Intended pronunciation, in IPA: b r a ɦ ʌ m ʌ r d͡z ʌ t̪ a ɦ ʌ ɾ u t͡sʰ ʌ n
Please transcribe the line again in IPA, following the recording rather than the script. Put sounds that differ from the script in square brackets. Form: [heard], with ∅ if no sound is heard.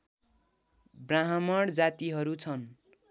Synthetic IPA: b r a ɦ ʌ m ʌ [ɽ] d͡z [a] t̪ [i] ɦ ʌ ɾ u t͡sʰ ʌ n